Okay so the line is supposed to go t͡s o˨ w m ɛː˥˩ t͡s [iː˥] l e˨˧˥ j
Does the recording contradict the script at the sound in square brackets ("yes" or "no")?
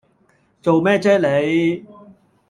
yes